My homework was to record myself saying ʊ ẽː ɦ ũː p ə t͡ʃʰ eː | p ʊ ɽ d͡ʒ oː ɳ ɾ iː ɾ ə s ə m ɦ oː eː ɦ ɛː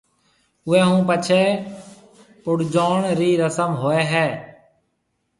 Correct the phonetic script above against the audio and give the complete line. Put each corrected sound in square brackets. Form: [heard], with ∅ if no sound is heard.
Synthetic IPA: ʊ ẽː ɦ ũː p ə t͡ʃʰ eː | p ʊ ɽ d͡ʒ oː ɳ ɾ iː ɾ ə s ə m ɦ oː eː ɦ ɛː